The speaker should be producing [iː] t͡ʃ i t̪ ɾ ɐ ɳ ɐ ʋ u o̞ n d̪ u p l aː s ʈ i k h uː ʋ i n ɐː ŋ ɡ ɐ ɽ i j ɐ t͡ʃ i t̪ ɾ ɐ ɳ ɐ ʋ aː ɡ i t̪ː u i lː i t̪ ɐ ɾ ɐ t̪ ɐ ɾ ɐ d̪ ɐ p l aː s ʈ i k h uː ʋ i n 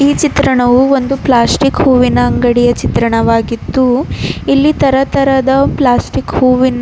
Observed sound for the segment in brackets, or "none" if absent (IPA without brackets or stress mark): iː